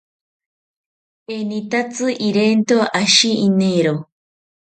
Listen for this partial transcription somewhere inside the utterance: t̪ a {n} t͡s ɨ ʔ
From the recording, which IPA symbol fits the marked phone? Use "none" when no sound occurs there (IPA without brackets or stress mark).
none